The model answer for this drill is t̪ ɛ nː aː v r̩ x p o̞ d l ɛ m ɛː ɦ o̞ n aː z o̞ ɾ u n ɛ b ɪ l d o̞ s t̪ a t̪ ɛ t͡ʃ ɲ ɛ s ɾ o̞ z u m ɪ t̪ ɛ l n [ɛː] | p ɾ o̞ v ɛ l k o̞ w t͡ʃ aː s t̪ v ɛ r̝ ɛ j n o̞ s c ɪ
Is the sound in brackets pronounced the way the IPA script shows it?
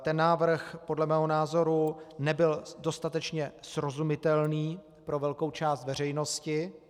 no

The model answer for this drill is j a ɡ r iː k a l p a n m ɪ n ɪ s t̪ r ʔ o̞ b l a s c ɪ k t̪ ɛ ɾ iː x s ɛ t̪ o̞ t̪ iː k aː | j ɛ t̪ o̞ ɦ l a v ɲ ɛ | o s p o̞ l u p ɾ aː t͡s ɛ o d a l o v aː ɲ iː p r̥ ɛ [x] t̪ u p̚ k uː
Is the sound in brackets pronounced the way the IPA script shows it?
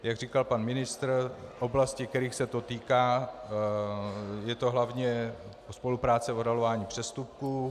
no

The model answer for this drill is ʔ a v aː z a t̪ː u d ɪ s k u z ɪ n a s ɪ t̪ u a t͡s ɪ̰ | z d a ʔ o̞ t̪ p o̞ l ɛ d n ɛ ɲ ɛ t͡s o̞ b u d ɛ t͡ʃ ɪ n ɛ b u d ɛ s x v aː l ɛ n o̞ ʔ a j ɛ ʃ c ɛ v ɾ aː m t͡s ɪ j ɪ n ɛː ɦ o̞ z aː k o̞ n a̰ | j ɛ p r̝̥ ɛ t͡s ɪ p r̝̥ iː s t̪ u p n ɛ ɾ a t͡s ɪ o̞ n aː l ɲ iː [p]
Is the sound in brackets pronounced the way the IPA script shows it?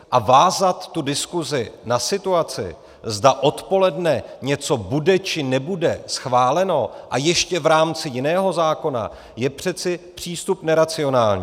no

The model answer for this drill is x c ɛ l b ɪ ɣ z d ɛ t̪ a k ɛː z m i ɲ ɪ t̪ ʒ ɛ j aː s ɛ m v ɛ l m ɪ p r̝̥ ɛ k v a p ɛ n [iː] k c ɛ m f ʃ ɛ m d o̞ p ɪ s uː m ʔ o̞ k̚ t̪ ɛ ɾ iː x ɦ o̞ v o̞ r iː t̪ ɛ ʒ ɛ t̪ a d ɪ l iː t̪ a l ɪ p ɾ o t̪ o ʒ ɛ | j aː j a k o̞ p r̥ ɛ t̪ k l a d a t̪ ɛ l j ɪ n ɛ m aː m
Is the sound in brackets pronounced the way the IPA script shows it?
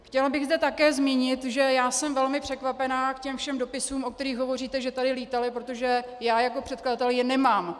no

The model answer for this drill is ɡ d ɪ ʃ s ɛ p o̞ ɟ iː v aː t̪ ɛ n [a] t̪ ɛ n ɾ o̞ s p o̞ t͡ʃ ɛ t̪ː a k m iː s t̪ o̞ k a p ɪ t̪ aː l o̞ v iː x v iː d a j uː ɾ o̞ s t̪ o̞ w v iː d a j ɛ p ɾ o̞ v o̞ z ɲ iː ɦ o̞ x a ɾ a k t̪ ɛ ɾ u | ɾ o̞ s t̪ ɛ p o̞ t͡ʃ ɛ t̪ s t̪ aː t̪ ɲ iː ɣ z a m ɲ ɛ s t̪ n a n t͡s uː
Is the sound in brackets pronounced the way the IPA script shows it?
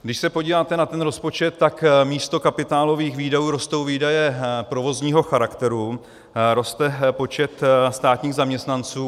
yes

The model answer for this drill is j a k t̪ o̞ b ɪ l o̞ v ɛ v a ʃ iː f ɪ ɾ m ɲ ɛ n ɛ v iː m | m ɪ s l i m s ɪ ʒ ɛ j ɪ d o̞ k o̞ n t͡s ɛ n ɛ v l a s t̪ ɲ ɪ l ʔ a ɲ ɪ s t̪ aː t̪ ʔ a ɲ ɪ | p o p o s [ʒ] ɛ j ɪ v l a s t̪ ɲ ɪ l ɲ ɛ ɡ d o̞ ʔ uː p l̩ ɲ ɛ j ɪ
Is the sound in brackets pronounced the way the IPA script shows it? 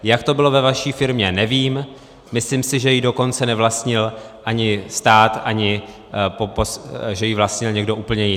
yes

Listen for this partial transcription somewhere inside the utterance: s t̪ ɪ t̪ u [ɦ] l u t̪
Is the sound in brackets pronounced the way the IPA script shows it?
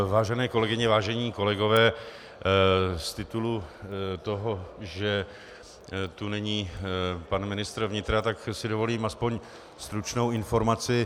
no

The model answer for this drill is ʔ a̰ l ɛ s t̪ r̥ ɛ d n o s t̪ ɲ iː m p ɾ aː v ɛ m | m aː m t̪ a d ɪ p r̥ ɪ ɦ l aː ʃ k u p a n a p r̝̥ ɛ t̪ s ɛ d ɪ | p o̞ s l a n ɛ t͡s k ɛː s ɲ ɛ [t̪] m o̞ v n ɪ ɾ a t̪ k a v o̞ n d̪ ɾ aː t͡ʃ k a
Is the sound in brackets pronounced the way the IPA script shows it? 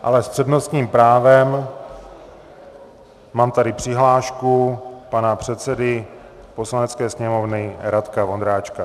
no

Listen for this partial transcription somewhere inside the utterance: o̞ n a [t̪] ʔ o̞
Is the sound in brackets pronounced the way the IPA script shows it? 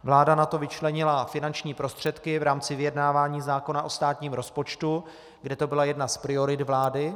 no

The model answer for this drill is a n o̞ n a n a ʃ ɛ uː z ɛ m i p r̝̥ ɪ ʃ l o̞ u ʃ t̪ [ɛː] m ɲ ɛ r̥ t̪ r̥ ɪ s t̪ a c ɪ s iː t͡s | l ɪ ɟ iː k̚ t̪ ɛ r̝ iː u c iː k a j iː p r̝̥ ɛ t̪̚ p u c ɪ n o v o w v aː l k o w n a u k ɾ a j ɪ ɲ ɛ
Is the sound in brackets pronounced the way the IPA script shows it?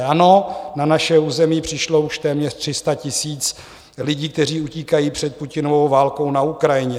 yes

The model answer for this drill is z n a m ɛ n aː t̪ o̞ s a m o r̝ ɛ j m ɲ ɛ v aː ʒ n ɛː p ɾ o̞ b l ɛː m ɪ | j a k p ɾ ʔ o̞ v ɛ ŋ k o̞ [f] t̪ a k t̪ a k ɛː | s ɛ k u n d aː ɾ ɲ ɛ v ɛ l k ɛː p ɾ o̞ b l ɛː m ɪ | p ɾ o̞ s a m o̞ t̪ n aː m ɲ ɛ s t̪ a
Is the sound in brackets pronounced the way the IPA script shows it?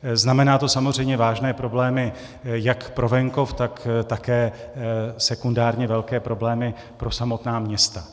yes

